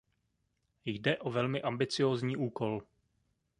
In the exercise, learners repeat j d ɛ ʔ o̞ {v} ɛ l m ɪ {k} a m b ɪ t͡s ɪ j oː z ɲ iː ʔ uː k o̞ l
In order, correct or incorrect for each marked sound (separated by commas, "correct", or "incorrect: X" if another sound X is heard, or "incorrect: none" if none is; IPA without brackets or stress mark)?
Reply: correct, incorrect: ʔ